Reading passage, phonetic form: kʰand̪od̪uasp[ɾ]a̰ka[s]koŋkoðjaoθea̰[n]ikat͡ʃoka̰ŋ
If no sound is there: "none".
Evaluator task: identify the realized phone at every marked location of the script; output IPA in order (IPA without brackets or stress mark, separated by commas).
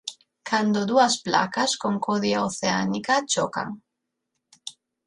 l, s, n